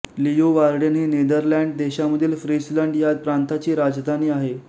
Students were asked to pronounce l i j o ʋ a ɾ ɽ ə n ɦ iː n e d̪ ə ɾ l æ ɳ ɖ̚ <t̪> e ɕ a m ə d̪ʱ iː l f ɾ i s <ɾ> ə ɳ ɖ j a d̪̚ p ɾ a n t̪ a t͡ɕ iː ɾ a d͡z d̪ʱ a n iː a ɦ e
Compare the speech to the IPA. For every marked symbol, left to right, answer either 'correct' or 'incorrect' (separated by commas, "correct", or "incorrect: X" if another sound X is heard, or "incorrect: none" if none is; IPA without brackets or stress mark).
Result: incorrect: d̪, incorrect: l